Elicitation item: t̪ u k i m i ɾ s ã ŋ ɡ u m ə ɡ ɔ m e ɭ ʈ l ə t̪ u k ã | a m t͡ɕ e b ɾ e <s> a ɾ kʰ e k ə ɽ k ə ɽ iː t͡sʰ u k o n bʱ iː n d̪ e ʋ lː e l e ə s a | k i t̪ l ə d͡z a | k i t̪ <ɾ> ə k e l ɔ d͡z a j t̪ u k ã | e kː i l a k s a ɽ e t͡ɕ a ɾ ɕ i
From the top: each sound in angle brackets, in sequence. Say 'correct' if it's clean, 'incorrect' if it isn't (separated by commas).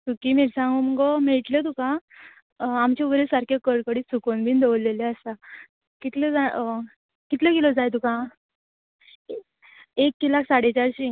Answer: correct, incorrect